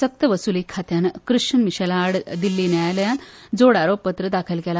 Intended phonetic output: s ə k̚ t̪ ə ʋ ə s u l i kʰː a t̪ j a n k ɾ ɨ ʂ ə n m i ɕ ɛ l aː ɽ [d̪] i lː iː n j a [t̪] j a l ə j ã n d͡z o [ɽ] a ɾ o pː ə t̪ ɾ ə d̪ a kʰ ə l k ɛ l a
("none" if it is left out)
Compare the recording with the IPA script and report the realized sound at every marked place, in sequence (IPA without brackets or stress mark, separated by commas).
d̪, none, ɽ